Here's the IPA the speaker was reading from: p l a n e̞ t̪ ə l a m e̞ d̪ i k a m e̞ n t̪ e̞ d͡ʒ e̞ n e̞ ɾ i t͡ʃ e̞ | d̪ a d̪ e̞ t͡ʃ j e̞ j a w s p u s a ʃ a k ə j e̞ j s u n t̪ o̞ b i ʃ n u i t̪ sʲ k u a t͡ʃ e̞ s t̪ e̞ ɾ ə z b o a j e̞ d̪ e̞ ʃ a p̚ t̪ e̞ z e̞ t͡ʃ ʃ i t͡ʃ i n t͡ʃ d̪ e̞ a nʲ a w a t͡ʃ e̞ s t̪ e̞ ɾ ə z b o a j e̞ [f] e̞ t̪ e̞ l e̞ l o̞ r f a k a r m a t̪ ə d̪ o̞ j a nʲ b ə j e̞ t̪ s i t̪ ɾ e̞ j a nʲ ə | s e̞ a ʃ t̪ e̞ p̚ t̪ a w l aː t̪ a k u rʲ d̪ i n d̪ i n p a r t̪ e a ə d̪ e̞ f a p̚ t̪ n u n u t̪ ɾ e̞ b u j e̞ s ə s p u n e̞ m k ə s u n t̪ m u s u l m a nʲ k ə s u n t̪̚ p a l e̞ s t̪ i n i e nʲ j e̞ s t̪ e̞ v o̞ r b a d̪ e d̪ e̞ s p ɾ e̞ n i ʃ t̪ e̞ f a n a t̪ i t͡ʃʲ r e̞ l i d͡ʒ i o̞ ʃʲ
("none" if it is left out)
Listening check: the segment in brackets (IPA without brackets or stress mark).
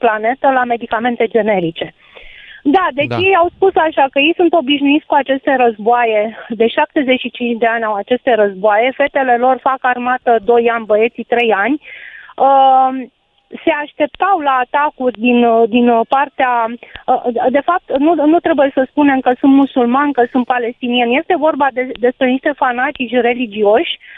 f